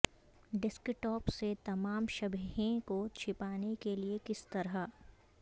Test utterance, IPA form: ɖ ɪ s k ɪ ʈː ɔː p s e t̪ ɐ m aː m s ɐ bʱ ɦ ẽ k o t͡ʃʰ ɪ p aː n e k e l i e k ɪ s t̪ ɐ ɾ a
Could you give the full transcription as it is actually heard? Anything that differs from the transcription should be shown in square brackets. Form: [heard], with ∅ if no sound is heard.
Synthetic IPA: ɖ ɪ s k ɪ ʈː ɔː p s e t̪ ɐ m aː m [ʃ] ɐ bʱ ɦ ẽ k o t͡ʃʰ ɪ p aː n e k e l i e k ɪ s t̪ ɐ ɾ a